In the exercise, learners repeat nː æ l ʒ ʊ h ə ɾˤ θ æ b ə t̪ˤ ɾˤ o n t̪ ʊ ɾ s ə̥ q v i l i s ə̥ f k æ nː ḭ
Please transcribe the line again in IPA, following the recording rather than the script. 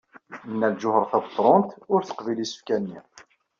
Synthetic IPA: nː æ l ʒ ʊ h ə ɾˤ θ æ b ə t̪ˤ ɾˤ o n t̪ ʊ ɾ θ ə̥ q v i l i s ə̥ f k æ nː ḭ